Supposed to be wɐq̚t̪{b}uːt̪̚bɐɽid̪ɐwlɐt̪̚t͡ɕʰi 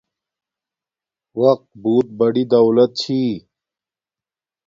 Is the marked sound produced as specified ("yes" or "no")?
yes